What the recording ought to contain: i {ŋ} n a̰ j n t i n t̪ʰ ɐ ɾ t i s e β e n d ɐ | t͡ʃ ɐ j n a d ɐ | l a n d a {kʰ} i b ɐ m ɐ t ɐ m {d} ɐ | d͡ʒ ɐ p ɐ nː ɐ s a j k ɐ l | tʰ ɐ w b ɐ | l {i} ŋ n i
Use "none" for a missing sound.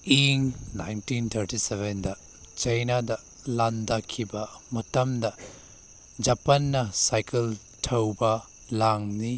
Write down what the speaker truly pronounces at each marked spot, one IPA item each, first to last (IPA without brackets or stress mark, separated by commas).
ŋ, kʰ, d, a